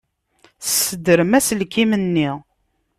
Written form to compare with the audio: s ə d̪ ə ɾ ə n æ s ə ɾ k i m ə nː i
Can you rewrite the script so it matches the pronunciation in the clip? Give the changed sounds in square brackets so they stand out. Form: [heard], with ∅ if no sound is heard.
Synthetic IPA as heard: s ə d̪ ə ɾ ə [m] æ s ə [l] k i m ə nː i

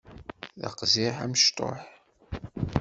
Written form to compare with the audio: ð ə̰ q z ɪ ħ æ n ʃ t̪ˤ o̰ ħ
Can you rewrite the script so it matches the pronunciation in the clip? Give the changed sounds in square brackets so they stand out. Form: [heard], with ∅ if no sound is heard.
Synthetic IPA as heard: ð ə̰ q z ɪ ħ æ [m] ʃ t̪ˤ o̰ ħ

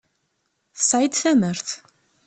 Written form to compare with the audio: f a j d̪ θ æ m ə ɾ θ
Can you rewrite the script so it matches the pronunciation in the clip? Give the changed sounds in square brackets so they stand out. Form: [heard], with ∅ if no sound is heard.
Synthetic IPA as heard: [s] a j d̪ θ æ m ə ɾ θ

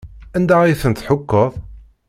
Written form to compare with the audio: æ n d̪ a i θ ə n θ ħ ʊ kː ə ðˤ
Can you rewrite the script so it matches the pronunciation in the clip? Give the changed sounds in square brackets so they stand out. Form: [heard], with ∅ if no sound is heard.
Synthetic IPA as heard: æ n d̪ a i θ ə n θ ħ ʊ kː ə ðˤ

